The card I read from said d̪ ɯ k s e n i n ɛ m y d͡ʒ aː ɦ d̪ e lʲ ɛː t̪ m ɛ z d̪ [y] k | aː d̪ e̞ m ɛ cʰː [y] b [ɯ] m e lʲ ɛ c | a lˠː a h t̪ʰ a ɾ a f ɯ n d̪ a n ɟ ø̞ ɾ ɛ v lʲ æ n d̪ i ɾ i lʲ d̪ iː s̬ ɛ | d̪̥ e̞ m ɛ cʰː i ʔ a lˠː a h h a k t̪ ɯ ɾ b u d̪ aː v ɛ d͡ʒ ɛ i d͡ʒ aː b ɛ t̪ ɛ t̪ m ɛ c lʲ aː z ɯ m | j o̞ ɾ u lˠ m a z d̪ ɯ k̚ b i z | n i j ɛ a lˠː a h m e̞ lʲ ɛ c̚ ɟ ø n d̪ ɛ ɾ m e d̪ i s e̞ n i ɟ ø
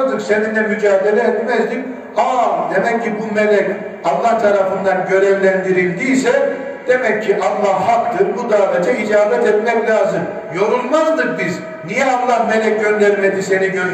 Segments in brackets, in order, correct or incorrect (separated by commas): incorrect, incorrect, incorrect